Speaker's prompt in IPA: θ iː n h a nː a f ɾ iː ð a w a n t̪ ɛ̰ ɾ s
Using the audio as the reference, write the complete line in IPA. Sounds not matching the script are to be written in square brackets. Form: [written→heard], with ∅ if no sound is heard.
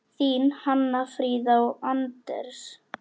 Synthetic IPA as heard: θ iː n h a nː a f ɾ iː ð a w a n t̪ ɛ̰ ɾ s